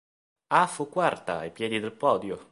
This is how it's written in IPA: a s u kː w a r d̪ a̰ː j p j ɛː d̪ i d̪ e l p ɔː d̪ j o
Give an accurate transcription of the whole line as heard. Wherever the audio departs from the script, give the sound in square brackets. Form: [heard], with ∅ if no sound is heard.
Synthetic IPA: a [f] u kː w a r [t̪] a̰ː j p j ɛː d̪ i d̪ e l p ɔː d̪ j o